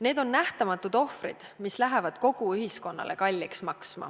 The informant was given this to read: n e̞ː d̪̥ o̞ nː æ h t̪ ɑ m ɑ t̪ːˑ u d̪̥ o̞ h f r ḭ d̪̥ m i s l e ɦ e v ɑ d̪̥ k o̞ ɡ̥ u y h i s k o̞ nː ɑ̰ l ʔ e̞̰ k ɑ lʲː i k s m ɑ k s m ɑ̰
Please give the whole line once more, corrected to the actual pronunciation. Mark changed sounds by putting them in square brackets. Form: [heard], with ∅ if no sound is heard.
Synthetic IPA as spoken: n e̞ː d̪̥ o̞ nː æ h t̪ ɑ m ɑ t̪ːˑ u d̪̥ o̞ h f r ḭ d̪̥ m i s l [æ] ɦ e v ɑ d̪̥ k o̞ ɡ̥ u y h i s k o̞ nː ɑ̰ l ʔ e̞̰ k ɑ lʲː i k s m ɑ k s m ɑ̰

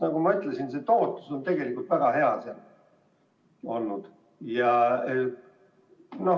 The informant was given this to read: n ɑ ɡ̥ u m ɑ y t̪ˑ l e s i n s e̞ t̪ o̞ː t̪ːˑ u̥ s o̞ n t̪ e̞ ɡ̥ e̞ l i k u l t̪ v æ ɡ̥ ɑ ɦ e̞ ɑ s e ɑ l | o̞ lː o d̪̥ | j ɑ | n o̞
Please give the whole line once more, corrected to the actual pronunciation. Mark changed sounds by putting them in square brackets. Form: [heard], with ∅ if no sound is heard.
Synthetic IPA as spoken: n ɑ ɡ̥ u m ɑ y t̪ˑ l e s i n s e̞ t̪ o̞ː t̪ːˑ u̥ s o̞ n t̪ e̞ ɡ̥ e̞ l i k u l t̪ v æ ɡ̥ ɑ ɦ e̞ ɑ s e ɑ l | o̞ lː [u] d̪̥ | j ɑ | n o̞

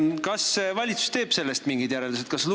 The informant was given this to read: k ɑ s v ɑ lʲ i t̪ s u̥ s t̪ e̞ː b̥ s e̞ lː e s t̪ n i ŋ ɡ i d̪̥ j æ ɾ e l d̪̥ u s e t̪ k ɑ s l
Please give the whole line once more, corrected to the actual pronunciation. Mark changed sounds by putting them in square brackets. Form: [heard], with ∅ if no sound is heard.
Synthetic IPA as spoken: k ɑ s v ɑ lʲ i t̪ s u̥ s t̪ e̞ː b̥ s e̞ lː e s t̪ [m] i ŋ ɡ i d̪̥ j æ ɾ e l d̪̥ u s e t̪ k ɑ s l

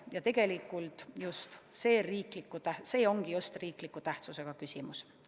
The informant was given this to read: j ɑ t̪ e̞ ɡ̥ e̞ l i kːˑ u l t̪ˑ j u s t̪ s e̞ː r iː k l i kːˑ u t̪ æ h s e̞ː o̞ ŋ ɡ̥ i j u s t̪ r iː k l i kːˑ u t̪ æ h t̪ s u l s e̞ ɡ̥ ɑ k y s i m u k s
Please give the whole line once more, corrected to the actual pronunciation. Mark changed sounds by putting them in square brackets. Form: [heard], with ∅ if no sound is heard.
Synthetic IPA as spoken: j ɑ t̪ e̞ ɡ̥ e̞ l i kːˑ u l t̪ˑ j u s t̪ s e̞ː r iː k l i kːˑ u t̪ æ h s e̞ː o̞ ŋ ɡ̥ i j u s t̪ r iː k l i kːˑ u t̪ æ h t̪ s u [∅] s e̞ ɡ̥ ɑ k y s i m u [∅] s

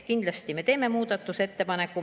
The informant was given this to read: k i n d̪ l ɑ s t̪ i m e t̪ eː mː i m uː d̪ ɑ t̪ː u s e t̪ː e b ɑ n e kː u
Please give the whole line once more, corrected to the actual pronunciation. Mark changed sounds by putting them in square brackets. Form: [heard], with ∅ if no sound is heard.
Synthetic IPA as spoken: k i n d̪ l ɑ s t̪ i m e t̪ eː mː [e] m uː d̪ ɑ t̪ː u s e t̪ː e [p] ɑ n e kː u

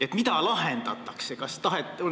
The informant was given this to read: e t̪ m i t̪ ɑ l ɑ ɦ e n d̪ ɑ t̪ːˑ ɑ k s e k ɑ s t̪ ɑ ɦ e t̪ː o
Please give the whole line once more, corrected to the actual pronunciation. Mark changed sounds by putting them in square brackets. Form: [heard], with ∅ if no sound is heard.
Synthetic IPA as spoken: e t̪ m i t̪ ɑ l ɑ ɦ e n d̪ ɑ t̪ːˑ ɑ k s e k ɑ s t̪ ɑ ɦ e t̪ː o

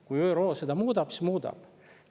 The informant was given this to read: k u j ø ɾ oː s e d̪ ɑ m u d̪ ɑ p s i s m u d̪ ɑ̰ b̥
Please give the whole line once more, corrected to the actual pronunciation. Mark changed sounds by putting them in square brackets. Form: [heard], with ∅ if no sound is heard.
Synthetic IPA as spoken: k u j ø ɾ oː s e d̪ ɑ m [uː] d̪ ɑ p s i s m [uː] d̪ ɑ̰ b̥

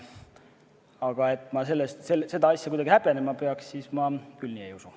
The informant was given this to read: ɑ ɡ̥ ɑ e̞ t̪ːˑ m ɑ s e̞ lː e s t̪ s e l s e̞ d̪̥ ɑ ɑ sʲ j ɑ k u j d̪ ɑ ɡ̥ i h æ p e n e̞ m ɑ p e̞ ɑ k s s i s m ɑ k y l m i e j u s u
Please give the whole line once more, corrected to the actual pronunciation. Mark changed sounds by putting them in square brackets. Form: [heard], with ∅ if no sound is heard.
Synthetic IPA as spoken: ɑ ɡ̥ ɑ e̞ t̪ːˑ m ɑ s e̞ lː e s t̪ s e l s e̞ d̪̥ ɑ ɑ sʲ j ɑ k u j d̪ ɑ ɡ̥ i h æ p e n e̞ m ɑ p e̞ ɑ k s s i s m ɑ k y l [n] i e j u s u

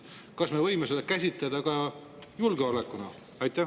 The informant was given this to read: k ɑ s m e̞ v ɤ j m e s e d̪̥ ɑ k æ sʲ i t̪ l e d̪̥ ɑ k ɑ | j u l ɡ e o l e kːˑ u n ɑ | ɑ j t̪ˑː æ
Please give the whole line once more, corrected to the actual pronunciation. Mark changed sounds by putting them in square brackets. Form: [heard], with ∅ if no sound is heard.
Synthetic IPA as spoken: k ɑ s m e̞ v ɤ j m e s e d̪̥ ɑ k æ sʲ i t̪ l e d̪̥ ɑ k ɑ | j u l ɡ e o l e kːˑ u n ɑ | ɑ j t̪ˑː æ

